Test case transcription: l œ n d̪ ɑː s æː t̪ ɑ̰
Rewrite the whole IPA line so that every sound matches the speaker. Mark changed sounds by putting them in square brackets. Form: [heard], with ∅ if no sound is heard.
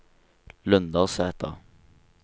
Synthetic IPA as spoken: l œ n d̪ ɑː s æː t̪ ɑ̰